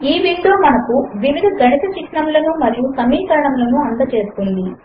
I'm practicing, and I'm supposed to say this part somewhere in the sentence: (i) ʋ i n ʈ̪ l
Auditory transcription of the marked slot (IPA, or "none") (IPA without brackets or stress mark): iː